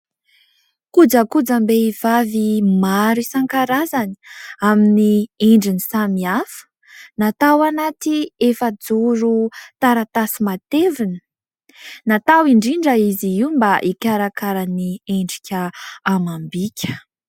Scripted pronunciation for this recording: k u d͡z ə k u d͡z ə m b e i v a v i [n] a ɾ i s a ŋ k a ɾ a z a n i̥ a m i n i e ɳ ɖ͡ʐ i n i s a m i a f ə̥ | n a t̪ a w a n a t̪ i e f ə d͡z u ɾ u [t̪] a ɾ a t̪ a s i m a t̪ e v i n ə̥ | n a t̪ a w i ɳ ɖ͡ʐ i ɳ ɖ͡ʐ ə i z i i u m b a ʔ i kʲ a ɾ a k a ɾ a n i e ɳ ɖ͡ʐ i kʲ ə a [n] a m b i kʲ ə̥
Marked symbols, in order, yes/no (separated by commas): no, yes, no